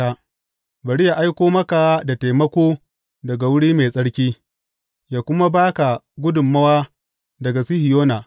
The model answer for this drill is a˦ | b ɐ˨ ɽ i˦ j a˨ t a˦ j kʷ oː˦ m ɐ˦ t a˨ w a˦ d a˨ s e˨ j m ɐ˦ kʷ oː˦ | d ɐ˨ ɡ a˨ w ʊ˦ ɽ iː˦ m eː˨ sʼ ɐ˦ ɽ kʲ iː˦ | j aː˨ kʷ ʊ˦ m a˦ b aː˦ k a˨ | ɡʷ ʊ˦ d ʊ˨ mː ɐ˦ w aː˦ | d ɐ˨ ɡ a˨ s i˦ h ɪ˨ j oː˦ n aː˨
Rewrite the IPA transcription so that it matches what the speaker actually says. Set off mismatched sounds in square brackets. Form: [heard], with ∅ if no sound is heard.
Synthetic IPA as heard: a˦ | b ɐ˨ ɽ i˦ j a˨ [ʔ] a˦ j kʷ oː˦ m ɐ˦ [k] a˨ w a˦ d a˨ [t] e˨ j m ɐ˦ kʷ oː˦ | d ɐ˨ ɡ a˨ w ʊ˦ ɽ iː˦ m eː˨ sʼ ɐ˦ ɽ kʲ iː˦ | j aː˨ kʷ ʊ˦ m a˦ b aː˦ k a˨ | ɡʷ ʊ˦ d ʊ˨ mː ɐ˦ w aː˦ | d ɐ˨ ɡ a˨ s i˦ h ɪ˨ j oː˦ n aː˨

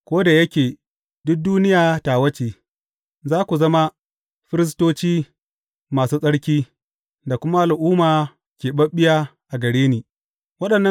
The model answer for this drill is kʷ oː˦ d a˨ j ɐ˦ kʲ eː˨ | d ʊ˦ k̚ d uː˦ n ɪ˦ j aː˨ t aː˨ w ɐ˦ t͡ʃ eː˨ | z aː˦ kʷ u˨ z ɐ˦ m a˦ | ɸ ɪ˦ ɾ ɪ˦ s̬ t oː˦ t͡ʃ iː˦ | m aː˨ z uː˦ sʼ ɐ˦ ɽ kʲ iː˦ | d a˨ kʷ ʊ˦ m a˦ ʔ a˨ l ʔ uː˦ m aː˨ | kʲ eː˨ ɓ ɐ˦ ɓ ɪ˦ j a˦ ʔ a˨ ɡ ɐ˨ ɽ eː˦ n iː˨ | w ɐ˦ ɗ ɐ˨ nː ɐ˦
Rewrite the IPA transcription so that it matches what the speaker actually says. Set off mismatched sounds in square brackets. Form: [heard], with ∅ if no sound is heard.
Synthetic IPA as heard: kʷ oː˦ d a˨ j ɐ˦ kʲ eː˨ | d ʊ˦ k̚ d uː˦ n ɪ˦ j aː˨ t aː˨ w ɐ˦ t͡ʃ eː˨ | z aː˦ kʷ u˨ z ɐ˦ m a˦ | ɸ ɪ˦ ɾ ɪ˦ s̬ t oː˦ t͡ʃ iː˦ | m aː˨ [s] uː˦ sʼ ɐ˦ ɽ kʲ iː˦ | d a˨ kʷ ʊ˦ m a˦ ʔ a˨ l ʔ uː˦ m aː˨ | kʲ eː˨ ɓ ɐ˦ ɓ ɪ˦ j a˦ ʔ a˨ ɡ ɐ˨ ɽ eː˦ n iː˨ | w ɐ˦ ɗ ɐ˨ nː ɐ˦

